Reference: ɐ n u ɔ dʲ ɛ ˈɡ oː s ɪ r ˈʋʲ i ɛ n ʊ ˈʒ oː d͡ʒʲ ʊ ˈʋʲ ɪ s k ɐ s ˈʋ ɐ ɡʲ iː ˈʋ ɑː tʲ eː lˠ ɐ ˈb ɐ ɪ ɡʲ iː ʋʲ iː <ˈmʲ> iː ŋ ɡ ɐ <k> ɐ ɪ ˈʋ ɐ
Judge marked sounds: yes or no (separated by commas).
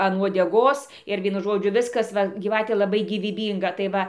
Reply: no, no